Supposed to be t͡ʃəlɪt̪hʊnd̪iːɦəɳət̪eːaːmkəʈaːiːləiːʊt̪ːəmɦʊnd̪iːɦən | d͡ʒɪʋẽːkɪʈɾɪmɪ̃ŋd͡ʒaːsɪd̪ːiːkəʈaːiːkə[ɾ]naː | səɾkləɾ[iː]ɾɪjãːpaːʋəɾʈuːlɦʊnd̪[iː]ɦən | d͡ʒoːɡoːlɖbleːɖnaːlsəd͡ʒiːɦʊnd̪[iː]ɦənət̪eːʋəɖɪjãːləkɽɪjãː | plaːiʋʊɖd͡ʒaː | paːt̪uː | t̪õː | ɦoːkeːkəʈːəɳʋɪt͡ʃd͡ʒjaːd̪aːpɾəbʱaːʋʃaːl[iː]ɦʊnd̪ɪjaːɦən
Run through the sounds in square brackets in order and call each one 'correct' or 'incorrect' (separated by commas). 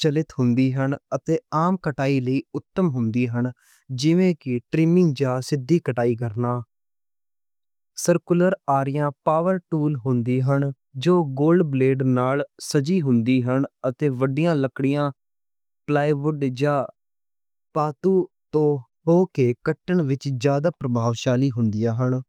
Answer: correct, incorrect, correct, correct, correct